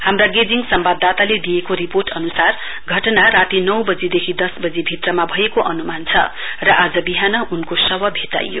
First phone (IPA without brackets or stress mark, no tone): h